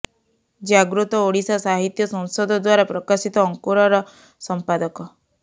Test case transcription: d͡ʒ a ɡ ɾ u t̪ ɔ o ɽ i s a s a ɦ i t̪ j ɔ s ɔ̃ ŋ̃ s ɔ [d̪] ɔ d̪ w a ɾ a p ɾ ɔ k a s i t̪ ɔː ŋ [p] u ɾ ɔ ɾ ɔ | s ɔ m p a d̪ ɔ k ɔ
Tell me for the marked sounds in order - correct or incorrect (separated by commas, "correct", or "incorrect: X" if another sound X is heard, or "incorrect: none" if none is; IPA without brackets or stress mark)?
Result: correct, incorrect: k